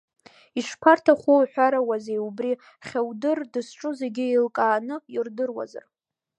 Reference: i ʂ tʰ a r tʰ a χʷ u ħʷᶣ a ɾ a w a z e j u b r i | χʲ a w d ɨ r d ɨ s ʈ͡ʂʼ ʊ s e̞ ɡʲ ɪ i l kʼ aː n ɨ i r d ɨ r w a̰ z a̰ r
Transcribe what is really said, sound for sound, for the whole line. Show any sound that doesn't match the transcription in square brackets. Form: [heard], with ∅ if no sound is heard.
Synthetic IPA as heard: i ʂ [pʰ] a r tʰ a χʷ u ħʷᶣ a ɾ a w a z e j u b r i | χʲ a w d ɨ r d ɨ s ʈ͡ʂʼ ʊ [z] e̞ ɡʲ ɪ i l kʼ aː n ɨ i r d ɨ r w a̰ z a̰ r

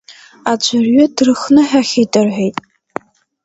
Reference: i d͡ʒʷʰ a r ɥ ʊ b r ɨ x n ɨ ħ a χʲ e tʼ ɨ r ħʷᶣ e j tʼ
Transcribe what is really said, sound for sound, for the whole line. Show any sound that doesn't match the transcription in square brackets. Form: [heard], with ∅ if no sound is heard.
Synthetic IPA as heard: [a] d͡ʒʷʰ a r ɥ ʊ [d] r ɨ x n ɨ ħ a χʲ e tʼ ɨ r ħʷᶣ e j tʼ

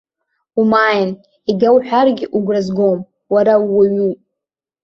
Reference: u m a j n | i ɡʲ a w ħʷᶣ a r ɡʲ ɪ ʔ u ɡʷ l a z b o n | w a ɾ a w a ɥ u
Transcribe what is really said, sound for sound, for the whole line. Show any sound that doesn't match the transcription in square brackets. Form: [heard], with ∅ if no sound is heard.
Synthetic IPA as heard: u m a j n | i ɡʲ a w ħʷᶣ a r ɡʲ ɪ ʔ u ɡʷ [r] a z [ɡ] o [m] | w a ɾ a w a ɥ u

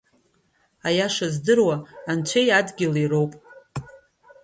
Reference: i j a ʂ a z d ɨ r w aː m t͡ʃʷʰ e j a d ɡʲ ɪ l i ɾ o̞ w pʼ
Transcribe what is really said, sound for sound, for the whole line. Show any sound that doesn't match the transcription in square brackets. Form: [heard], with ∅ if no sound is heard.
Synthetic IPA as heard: [a] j a ʂ a z d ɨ r w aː [n] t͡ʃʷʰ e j a d ɡʲ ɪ l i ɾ o̞ w pʼ

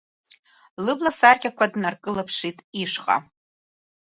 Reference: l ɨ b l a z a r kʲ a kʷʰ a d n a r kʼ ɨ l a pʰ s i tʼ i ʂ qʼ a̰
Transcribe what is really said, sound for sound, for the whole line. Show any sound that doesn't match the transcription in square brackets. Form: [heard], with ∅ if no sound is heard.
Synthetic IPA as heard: l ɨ b l a [s] a r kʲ a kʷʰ a d n a r kʼ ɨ l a pʰ [ʂ] i tʼ i ʂ qʼ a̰

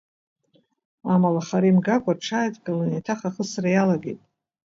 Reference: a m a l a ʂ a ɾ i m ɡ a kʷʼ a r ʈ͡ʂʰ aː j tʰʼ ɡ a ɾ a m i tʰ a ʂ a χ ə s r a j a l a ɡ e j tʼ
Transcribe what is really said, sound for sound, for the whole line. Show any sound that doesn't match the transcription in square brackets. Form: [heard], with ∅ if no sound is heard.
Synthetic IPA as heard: a m a l a [χ] a ɾ i m ɡ a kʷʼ a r ʈ͡ʂʰ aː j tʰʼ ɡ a [l] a [n] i tʰ a [χ] a χ ə s r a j a l a ɡ e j tʼ

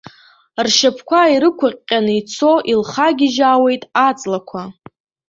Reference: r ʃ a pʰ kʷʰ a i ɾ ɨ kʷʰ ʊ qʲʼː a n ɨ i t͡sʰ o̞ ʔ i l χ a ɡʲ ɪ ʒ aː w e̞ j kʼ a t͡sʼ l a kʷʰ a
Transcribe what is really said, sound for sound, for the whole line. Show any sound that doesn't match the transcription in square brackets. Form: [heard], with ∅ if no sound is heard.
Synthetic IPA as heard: r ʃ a pʰ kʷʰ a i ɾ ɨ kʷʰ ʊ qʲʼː a n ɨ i t͡sʰ o̞ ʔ i l χ a ɡʲ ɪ ʒ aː w e̞ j [tʼ] a t͡sʼ l a kʷʰ a

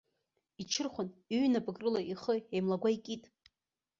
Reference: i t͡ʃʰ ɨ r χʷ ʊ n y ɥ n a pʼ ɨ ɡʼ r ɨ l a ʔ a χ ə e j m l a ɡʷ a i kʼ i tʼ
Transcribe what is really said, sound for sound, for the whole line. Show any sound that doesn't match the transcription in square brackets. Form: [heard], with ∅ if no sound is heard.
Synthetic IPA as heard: i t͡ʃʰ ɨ r χʷ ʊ n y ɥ n a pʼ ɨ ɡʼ r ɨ l a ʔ [i] χ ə e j m l a ɡʷ a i kʼ i tʼ

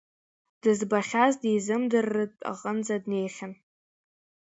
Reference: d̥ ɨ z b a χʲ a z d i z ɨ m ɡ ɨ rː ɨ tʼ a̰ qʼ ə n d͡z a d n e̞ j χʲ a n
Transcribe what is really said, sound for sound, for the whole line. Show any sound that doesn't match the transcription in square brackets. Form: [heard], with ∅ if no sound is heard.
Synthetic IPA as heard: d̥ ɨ z b a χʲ a z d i z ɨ m [d] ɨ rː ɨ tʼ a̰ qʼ ə n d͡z a d n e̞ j χʲ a n

